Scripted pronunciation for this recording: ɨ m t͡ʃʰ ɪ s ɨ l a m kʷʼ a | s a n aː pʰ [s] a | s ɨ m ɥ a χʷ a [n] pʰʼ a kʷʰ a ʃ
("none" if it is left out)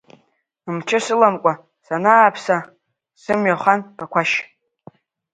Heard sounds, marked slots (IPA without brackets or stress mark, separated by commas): s, n